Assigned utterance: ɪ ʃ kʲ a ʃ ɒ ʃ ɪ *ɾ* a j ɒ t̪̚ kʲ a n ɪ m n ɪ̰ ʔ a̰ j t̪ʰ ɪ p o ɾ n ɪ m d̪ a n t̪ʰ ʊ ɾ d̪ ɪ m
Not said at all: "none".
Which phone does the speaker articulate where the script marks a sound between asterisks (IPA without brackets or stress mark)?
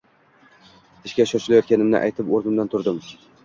l